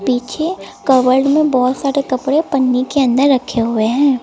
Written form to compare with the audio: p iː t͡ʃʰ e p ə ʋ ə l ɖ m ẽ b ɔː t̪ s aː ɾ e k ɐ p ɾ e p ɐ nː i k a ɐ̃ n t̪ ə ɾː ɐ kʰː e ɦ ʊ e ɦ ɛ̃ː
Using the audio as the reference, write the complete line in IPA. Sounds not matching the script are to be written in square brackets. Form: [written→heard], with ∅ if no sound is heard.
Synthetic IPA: p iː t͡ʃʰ e [p→k] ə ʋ ə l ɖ m ẽ b ɔː t̪ s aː ɾ e k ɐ p [ɾ→ɽ] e p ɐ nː i k [a→e] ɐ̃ n [t̪→d̪] ə ɾː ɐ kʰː e ɦ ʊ e ɦ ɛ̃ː